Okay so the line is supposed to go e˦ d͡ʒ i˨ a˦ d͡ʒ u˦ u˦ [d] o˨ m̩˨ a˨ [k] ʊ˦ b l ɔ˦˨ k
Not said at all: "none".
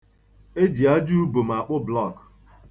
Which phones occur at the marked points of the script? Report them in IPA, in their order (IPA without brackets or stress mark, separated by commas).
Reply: b, k͡p